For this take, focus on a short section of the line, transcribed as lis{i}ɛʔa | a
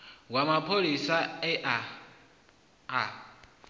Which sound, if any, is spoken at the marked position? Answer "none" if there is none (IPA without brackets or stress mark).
a